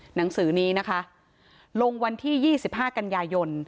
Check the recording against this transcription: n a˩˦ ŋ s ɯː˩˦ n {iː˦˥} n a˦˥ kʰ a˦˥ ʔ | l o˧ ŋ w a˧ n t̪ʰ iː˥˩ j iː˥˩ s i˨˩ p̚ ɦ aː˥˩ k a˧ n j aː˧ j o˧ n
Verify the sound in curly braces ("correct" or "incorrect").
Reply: correct